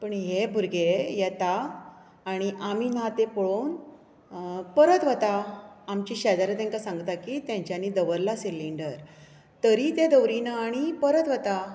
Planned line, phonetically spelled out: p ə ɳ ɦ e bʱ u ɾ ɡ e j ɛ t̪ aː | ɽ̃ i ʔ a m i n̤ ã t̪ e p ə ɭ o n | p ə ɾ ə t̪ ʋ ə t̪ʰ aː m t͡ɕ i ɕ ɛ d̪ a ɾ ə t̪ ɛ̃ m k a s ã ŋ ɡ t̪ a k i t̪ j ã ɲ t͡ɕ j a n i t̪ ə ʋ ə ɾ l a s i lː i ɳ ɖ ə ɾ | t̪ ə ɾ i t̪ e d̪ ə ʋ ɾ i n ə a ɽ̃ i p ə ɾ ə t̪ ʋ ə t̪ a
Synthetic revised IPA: p ə ɳ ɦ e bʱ u ɾ ɡ e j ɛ t̪ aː | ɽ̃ i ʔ a m i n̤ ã t̪ e p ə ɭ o n | p ə ɾ ə t̪ ʋ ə t̪ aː m t͡ɕ i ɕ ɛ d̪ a ɾ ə t̪ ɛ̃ ŋ k a s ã ŋ ɡ t̪ a k i t̪ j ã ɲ t͡ɕ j a n i d̪ ə ʋ ə ɾ l a s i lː i ɳ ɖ ə ɾ | t̪ ə ɾ i t̪ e d̪ ə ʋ ɾ i n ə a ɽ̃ i p ə ɾ ə t̪ ʋ ə t̪ a

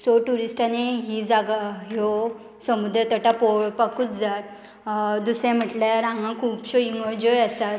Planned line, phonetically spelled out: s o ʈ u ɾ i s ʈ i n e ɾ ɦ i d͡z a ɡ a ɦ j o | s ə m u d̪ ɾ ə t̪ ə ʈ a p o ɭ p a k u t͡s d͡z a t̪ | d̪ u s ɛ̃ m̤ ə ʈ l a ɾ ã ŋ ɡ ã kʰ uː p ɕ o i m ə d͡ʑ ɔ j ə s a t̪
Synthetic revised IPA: s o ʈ u ɾ i s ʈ a n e ɦ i d͡z a ɡ a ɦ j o | s ə m u d̪ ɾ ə t̪ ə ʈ a p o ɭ p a k u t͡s d͡z a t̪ | d̪ u s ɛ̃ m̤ ə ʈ l a ɾ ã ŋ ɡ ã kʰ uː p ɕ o i ŋ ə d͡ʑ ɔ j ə s a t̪

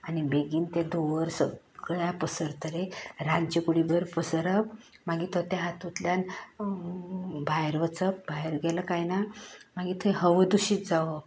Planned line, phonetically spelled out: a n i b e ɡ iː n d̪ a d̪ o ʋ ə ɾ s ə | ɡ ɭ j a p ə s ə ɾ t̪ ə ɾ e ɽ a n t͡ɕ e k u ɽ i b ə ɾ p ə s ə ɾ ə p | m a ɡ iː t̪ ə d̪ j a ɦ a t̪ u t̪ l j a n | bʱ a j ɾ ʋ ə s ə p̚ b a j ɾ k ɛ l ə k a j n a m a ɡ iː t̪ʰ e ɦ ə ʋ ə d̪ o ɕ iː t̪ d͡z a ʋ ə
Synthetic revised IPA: a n i b e ɡ iː n t̪ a d̪ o ʋ ə ɾ s ə | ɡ ɭ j a p ə s ə ɾ t̪ ə ɾ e ɾ a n t͡ɕ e k u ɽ i b ə ɾ p ə s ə ɾ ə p | m a ɡ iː t̪ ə t̪ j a ɦ a t̪ u t̪ l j a n | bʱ a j ɾ ʋ ə t͡s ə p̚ b a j ɾ ɡ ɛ l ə k a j n a m a ɡ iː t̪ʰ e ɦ ə ʋ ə d̪ u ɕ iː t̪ d͡z a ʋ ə

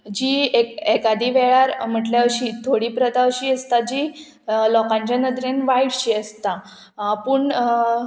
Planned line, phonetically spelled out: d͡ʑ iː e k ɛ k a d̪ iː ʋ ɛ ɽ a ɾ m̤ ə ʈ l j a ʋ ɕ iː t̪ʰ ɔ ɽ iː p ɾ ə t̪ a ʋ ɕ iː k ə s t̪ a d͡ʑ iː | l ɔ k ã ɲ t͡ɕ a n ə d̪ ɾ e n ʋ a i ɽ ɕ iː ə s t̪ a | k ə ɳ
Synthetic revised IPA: d͡ʑ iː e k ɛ k a d̪ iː ʋ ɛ ɭ a ɾ m̤ ə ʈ l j a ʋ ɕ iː t̪ʰ o ɽ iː p ɾ ə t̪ a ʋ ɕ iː ə s t̪ a d͡ʑ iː | l ɔ k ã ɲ t͡ɕ a n ə d̪ ɾ e n ʋ a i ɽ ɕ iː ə s t̪ a | p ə ɳ

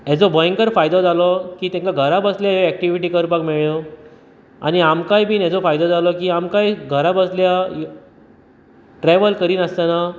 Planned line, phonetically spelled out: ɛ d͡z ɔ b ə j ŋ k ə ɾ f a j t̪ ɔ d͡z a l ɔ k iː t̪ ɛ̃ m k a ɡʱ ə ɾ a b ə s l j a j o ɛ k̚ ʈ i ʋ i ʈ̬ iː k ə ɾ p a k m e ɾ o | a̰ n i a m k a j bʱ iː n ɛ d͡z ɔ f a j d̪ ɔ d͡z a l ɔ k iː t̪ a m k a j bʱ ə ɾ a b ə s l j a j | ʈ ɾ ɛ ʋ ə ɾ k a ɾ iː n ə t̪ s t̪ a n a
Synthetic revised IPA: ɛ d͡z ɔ b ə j ŋ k ə ɾ f a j d̪ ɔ d͡z a l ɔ k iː t̪ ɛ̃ ŋ k a ɡʱ ə ɾ a b ə s l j a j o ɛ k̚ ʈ i ʋ i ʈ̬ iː k ə ɾ p a k m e ɭ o | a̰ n i a m k a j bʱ iː n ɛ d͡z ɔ f a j d̪ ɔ d͡z a l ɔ k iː a m k a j ɡʱ ə ɾ a b ə s l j a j | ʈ ɾ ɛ ʋ ə l k ə ɾ iː n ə s t̪ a n a

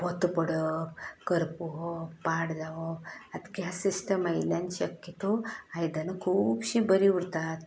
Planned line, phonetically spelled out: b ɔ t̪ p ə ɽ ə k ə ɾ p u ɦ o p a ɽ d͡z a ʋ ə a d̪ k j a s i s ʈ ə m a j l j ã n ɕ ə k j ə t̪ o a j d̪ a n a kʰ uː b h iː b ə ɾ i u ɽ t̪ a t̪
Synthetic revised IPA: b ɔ t̪ p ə ɽ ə k ə ɾ p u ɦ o p a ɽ d͡z a ʋ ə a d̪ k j a s i s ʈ ə m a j l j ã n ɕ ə k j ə t̪ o a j d̪ a n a kʰ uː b ɕ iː b ə ɾ i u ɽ t̪ a t̪

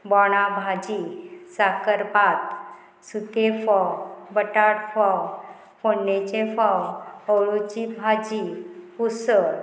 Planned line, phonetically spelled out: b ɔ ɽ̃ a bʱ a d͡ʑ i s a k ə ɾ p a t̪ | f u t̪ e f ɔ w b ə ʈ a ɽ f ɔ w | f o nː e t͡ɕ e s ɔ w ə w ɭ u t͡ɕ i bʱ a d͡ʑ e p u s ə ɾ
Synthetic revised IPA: b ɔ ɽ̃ a bʱ a d͡ʑ i s a k ə ɾ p a t̪ | s u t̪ e f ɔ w b ə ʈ a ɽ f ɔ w | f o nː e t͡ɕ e f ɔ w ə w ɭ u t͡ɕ i bʱ a d͡ʑ i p u s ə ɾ

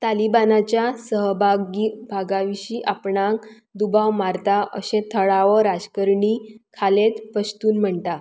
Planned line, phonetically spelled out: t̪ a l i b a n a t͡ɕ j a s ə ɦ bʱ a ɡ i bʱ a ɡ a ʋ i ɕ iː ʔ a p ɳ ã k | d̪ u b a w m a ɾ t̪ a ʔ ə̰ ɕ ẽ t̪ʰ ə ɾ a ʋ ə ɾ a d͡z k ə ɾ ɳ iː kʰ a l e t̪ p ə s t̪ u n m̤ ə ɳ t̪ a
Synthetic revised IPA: t̪ a l i b a n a t͡ɕ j a s ə ɦ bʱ a ɡ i bʱ a ɡ a ʋ i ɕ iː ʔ a p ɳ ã k | d̪ u b a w m a ɾ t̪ a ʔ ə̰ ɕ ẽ t̪ʰ ə ɭ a ʋ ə ɾ a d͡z k ə ɾ ɳ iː kʰ a l e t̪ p ə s t̪ uː n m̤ ə ɳ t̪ a

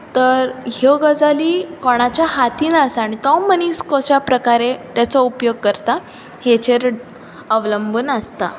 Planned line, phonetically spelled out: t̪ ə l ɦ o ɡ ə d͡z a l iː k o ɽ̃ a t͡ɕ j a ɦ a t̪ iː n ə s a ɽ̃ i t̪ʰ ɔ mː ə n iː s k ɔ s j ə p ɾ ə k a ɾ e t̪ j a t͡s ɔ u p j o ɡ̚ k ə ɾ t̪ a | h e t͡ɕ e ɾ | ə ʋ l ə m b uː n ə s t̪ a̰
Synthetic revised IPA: t̪ ə ɾ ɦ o ɡ ə d͡z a l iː k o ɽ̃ a t͡ɕ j a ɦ a t̪ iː n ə s a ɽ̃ i t̪ ɔ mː ə n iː s k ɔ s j a p ɾ ə k a ɾ e t̪ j a t͡s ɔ u p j o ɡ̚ k ə ɾ t̪ a | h e t͡ɕ e ɾ | ə ʋ l ə m b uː n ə s t̪ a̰

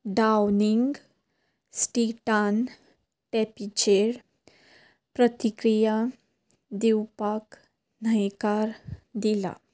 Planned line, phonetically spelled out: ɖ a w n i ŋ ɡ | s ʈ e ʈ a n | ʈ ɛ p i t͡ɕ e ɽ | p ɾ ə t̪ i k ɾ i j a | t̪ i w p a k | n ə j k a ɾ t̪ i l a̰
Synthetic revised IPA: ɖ a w n i ŋ ɡ | s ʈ i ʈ a n | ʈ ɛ p i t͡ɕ e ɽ | p ɾ ə t̪ i k ɾ i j a | d̪ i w p a k | n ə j k a ɾ d̪ i l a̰

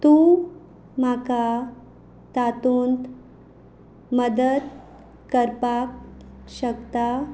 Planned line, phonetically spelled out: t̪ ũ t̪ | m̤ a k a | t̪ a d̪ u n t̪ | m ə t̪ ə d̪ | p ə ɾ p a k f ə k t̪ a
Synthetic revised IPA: t̪ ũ | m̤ a k a | t̪ a t̪ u n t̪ | m ə d̪ ə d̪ | k ə ɾ p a k ɕ ə k t̪ a

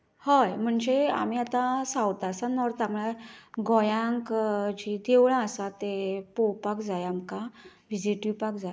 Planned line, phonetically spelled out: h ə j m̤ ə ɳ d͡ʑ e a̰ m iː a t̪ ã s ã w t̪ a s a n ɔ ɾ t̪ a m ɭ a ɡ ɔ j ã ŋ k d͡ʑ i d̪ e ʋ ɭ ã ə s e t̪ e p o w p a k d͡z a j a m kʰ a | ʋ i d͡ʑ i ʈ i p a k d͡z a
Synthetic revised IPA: h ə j m̤ ə ɳ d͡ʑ e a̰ m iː a t̪ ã s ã w t̪ a s a n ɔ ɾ t̪ a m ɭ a ɡ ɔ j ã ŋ k d͡ʑ i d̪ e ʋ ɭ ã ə s a t̪ e p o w p a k d͡z a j a m k a | ʋ i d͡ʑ i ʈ i p a k d͡z a

